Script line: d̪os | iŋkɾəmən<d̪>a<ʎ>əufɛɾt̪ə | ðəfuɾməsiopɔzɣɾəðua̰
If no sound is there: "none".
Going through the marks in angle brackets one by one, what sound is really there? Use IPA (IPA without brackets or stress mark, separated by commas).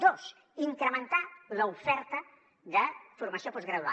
t̪, l